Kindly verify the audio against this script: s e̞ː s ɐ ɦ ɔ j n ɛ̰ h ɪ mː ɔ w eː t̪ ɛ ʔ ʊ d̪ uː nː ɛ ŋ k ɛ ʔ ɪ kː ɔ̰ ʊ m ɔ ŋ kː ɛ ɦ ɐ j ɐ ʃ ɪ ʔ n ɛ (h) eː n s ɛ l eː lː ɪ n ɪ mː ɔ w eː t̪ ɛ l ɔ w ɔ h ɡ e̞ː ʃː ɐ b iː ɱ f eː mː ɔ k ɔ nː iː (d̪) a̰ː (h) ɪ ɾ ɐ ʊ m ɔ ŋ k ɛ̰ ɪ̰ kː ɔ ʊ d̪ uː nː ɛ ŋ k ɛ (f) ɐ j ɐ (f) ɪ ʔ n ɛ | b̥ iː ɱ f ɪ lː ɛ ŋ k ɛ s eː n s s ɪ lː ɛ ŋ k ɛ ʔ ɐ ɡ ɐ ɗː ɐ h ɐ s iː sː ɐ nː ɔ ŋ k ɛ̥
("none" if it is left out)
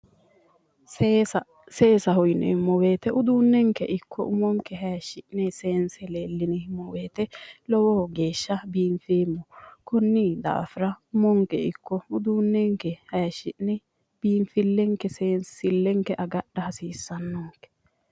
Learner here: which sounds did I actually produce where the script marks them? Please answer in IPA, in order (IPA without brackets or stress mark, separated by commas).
s, d̪, f, h, ʃ